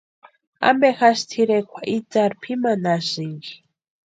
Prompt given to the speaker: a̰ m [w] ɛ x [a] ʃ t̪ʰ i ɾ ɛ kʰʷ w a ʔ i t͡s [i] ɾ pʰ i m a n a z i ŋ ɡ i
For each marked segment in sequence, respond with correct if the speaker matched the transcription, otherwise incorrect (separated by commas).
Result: incorrect, correct, incorrect